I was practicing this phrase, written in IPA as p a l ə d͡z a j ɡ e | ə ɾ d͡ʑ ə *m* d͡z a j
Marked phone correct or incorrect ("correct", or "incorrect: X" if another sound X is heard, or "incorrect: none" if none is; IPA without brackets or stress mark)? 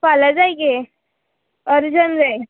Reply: incorrect: n